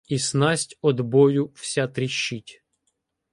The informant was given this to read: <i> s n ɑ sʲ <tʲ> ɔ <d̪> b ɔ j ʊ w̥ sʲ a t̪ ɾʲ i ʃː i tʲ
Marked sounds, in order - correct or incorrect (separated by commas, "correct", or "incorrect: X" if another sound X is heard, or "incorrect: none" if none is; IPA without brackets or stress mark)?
correct, correct, correct